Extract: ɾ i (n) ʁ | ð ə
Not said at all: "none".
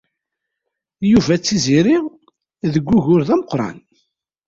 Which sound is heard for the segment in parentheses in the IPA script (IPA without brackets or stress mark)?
none